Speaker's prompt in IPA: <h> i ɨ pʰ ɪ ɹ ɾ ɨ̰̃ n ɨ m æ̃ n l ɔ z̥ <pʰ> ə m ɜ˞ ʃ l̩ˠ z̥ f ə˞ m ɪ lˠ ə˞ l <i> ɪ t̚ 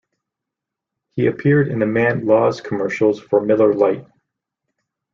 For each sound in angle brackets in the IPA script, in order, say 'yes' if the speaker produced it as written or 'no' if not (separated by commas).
yes, no, no